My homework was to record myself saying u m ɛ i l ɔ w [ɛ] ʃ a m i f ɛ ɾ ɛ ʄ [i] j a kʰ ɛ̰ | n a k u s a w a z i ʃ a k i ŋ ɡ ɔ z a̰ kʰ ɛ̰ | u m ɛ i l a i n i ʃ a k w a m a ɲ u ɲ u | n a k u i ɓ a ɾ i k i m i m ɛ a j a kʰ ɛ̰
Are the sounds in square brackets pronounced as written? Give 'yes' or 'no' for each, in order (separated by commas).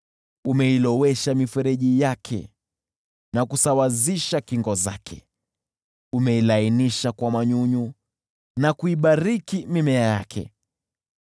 yes, yes